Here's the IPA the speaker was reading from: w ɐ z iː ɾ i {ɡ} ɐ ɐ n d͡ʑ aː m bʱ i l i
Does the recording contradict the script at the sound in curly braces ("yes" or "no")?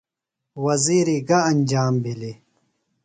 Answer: no